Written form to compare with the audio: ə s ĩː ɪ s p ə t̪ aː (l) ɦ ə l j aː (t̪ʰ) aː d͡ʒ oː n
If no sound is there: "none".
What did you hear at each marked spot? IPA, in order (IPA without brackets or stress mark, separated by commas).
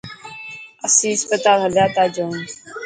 l, t̪